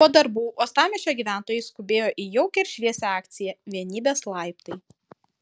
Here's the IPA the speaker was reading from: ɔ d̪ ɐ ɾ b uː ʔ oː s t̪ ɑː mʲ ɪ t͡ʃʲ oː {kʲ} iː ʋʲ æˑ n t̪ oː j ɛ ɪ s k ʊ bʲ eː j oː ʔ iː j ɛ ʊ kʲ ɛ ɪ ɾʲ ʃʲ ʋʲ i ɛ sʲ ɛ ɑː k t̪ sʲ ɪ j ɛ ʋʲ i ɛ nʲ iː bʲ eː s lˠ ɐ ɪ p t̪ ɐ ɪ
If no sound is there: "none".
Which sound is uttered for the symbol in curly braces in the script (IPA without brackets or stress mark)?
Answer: ɡʲ